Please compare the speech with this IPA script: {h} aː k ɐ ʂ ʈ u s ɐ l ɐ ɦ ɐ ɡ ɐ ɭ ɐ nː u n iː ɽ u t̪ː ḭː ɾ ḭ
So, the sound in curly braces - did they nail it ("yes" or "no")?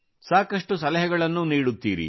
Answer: no